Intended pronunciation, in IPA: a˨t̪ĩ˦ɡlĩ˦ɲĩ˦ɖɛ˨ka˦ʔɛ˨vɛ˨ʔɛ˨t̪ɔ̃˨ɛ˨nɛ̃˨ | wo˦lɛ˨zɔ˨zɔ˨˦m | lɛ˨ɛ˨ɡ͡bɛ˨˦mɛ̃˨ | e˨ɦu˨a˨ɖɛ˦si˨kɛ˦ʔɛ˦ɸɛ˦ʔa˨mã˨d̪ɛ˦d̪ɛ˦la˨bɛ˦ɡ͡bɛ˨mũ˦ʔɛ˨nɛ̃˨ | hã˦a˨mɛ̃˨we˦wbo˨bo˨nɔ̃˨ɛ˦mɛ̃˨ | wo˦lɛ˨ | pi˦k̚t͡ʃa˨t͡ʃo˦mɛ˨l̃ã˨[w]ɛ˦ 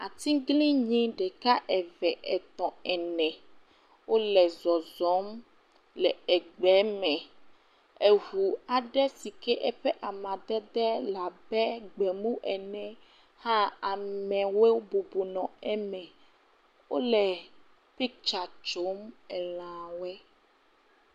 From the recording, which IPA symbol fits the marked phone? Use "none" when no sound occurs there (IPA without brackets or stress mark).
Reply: w